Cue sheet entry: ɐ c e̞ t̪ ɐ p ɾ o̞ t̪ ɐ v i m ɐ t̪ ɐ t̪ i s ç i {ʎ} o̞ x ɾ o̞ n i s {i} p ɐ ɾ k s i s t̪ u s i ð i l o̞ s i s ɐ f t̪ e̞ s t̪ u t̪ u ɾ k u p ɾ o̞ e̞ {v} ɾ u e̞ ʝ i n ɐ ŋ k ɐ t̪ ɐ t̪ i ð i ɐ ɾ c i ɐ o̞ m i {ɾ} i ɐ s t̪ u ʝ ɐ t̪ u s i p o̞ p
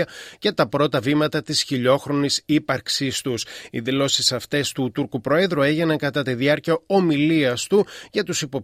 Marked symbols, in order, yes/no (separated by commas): yes, yes, no, no